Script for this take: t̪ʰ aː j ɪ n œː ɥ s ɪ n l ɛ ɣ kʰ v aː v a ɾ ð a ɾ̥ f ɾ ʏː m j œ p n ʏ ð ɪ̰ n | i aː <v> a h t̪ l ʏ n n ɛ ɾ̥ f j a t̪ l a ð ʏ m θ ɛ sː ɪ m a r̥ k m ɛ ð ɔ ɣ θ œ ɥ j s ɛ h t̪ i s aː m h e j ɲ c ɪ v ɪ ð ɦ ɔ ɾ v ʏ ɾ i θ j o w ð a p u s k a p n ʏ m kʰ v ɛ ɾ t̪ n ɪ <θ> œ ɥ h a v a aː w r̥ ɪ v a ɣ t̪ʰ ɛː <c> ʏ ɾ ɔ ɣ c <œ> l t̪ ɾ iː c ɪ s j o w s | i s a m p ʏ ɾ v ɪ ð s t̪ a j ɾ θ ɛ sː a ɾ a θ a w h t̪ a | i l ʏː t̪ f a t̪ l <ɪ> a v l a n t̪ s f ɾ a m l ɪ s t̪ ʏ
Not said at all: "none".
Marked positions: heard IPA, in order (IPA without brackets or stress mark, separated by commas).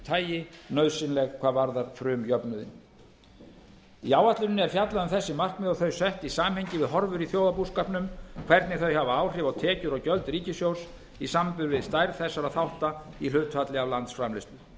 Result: w, θ, c, œ, ɪ